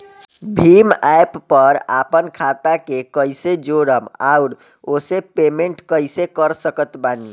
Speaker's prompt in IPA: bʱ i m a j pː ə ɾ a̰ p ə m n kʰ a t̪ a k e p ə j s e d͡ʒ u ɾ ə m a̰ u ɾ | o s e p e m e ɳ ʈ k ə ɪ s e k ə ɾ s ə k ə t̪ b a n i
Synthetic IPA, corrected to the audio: bʱ i m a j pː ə ɾ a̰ p ə n kʰ a t̪ a k e k ə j s e d͡ʒ o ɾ ə m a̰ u ɾ | o s e p e m e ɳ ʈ k ə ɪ s e k ə ɾ s ə k ə t̪ b a n i

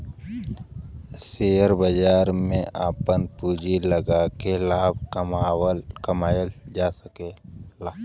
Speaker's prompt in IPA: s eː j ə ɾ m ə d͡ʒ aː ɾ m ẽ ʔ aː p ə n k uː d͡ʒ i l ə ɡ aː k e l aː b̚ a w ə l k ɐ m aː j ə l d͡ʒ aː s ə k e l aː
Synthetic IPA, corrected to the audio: s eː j ə ɾ b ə d͡ʒ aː ɾ m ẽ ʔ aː p ə n p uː d͡ʒ i l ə ɡ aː k e l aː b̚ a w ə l k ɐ m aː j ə l d͡ʒ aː s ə k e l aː

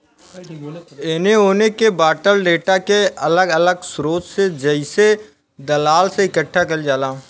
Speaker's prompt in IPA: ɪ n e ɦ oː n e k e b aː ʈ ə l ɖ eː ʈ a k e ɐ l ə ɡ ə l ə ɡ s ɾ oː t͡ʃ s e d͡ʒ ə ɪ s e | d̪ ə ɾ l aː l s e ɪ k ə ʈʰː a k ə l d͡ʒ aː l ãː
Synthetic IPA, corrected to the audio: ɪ n e ɦ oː n e k e b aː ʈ ə l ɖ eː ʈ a k e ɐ l ə ɡ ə l ə ɡ s ɾ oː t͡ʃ s e d͡ʒ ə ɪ s e | d̪ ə l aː l s e ɪ k ə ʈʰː a k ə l d͡ʒ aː l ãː

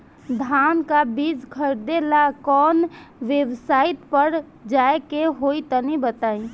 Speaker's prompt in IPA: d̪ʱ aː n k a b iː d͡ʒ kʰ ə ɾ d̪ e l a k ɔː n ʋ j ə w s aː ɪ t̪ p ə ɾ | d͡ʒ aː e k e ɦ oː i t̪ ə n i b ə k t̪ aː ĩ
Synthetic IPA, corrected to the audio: d̪ʱ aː n k a b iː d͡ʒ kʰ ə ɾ d̪ e l a k ɔː n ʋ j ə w s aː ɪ t̪ p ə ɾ | d͡ʒ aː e k e ɦ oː i t̪ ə n i b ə t̪ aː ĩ

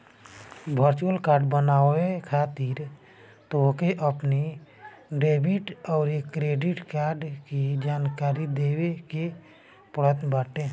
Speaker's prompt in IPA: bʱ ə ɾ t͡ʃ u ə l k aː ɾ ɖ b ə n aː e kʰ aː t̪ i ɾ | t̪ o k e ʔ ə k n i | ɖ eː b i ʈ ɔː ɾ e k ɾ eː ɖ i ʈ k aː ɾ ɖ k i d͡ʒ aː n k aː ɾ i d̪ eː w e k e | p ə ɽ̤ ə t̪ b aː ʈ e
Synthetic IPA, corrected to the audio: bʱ ə ɾ t͡ʃ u ə l k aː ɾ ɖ b ə n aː e kʰ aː t̪ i ɾ | t̪ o k e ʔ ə p n i | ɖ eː b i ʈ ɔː ɾ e k ɾ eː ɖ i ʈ k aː ɾ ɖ k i d͡ʒ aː n k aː ɾ i d̪ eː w e k e | p ə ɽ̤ ə t̪ b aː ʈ e

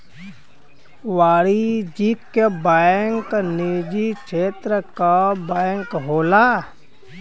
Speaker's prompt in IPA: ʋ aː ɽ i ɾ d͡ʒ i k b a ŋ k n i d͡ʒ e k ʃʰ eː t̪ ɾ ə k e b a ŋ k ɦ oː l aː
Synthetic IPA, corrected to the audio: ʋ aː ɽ i d͡ʒ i k b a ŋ k n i d͡ʒ i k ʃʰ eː t̪ ɾ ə k a b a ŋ k ɦ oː l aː

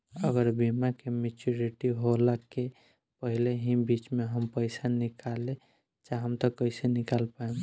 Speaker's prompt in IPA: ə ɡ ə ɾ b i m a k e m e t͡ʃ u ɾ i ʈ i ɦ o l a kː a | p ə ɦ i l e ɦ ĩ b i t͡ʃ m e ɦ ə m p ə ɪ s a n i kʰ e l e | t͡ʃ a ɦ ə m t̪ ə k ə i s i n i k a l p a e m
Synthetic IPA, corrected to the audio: ə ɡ ə ɾ b i m a k e m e t͡ʃ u ɾ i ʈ i ɦ o l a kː e | p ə ɦ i l e ɦ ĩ b i t͡ʃ m e ɦ ə m p ə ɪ s a n i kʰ a l e | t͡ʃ a ɦ ə m t̪ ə k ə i s e n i k a l p a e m

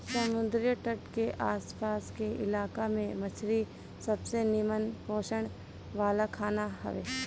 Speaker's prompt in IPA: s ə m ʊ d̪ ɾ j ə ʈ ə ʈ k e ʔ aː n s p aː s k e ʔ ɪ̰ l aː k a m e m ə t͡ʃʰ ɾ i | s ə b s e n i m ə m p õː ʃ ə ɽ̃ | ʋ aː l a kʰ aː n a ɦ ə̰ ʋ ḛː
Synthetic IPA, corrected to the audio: s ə m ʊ d̪ ɾ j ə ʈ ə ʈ k e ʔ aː s p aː s k e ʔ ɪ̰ l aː k a m ẽ m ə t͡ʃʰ ɾ i | s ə b s e n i m ə n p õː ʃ ə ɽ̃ | ʋ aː l a kʰ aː n a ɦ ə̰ ʋ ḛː

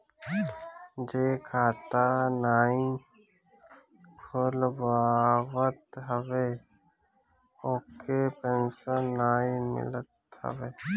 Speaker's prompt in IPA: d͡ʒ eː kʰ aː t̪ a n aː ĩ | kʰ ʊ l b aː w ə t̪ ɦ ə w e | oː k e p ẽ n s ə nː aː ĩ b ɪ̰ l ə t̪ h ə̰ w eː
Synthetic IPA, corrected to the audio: d͡ʒ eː kʰ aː t̪ a n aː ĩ | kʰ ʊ l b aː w ə t̪ ɦ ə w e | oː k e p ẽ n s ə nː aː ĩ m ɪ̰ l ə t̪ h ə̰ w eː

